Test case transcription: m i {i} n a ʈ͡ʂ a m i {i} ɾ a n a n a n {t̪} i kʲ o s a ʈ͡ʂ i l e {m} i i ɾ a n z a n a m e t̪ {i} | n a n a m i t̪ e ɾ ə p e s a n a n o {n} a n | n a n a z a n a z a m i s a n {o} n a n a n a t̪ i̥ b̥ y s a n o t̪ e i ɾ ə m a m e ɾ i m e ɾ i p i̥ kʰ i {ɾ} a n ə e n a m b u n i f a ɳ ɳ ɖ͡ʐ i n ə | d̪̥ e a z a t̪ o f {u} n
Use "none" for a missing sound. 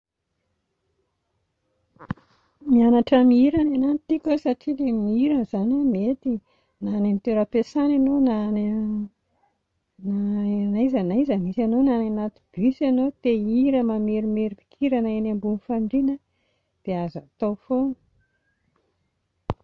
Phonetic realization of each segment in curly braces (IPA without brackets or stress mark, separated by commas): a, i, t̪, m, i, n, o, ɾ, o